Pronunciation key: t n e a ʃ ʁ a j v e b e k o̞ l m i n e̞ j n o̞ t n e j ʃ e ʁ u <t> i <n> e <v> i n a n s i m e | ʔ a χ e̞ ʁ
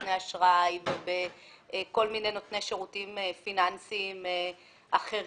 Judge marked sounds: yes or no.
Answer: yes, no, no

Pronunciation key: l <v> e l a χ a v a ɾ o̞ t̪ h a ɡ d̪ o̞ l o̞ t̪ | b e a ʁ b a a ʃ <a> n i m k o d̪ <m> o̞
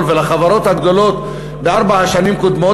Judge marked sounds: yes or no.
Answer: yes, yes, yes

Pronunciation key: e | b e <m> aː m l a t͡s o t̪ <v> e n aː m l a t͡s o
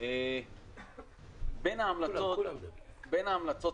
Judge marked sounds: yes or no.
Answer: no, no

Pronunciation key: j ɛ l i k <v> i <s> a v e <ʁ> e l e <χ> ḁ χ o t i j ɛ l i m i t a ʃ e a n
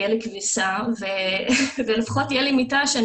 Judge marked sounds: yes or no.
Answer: yes, yes, no, no

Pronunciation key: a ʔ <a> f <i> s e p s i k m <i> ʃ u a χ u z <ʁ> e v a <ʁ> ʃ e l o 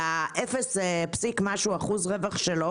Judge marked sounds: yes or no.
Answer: no, no, no, yes, no

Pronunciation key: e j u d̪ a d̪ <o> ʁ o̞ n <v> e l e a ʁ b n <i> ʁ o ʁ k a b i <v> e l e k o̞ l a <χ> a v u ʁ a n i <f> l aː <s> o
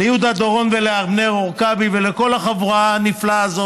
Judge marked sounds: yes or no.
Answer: yes, yes, no, yes, yes, yes, no

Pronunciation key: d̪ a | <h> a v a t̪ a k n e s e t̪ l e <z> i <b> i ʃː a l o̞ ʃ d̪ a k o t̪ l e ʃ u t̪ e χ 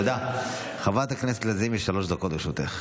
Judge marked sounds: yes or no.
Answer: no, yes, no

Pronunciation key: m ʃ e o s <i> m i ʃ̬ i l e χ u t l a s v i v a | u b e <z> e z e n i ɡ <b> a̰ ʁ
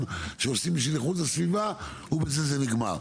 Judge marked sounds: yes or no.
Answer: yes, yes, no

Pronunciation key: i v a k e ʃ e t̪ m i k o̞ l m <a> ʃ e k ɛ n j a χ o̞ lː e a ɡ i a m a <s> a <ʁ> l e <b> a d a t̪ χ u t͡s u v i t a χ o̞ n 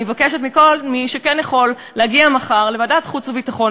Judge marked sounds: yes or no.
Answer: no, no, yes, no

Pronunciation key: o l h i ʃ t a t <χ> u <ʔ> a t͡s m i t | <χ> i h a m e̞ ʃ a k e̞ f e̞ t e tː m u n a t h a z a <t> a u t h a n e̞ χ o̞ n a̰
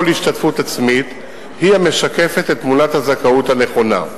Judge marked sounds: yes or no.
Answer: no, no, no, no

